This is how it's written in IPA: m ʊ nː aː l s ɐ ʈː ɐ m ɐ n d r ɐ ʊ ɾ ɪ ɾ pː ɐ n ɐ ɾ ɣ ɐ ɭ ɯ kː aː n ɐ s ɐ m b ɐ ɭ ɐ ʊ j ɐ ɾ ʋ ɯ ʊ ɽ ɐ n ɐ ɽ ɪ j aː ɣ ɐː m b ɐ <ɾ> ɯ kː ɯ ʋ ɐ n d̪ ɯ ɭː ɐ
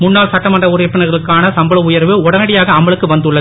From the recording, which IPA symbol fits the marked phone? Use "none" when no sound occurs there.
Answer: ɭ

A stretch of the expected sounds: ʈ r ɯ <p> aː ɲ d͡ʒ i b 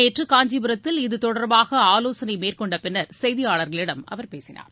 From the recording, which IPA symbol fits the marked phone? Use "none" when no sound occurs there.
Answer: k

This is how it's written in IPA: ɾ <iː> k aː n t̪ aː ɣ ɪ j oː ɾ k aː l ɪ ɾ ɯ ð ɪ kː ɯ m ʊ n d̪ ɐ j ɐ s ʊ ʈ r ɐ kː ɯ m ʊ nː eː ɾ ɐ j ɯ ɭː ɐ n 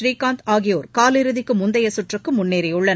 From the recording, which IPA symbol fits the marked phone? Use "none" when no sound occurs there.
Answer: iː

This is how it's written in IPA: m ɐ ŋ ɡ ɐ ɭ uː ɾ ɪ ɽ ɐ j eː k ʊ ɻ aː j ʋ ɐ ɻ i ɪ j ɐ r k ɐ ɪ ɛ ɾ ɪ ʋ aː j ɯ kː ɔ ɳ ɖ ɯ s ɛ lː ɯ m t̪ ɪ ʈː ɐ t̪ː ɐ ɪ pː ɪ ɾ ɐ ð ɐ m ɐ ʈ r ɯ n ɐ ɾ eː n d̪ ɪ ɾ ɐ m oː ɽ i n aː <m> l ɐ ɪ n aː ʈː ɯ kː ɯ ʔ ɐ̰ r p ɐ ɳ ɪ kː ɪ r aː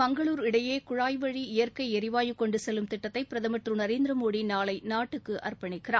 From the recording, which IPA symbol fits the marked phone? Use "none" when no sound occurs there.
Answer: none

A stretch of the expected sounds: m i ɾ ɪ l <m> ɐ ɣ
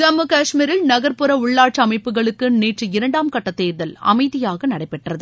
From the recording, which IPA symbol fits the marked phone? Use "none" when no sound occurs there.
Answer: n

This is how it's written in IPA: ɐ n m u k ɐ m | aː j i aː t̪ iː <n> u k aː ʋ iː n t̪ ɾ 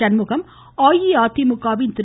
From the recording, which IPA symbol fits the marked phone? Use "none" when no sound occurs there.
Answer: m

